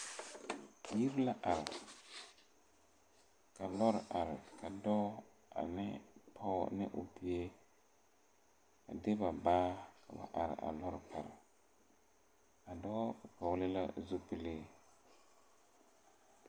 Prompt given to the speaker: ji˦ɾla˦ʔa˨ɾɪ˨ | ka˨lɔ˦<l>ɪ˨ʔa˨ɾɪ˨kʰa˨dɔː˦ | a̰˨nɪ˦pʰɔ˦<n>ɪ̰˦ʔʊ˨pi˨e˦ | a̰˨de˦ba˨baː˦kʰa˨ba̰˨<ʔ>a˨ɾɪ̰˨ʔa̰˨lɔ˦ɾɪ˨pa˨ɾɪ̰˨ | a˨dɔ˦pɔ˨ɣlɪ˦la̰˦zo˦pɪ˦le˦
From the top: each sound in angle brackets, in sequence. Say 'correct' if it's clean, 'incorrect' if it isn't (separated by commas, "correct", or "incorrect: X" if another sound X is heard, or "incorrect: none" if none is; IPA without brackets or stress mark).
incorrect: ɾ, correct, correct